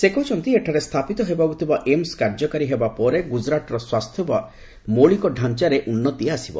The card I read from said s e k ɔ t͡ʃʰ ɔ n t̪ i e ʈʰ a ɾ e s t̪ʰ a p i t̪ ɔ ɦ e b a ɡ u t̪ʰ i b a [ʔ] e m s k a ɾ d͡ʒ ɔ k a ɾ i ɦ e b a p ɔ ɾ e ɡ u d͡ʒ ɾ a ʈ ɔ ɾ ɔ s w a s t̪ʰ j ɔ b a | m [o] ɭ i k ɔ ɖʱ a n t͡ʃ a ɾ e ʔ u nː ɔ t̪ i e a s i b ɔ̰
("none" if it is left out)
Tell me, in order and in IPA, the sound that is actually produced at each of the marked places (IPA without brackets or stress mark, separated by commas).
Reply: ʔ, o